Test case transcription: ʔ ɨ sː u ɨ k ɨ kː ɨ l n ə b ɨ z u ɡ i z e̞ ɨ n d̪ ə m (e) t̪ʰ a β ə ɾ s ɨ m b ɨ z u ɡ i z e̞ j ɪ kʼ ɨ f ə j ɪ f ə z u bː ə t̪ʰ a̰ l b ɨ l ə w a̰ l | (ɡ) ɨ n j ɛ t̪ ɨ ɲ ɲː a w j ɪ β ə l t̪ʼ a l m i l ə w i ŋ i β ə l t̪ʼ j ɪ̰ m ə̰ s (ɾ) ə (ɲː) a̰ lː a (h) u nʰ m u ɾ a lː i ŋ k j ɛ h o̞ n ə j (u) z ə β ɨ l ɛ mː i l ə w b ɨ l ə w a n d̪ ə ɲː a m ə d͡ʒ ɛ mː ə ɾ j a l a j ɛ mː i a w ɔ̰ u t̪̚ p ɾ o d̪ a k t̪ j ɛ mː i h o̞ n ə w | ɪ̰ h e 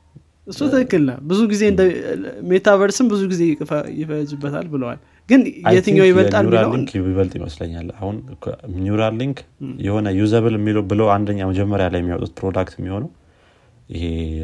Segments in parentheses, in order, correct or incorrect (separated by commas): correct, correct, incorrect, correct, correct, correct